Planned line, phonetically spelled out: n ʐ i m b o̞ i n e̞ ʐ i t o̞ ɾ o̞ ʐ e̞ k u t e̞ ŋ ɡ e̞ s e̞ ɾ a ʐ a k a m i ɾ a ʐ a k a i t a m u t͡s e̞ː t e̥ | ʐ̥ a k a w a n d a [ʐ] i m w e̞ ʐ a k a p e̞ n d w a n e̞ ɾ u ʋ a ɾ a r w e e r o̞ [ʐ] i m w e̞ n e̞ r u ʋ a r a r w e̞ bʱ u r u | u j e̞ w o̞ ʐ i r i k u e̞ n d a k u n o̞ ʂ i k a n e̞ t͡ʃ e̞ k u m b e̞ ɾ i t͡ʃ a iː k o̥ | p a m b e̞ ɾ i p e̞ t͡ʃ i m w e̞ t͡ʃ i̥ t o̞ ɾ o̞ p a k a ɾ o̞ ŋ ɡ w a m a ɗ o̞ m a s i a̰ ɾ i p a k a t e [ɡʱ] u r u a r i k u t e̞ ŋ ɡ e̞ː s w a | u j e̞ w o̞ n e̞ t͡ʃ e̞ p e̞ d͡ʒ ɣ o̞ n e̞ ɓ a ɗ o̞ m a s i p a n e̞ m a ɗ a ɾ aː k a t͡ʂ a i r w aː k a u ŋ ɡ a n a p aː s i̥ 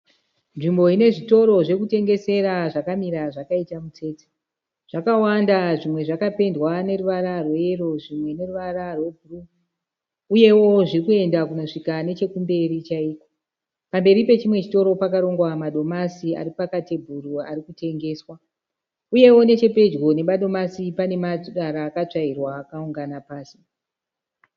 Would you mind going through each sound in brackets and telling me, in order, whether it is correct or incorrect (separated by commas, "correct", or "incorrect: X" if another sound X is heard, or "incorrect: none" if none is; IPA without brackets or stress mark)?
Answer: correct, correct, incorrect: bʱ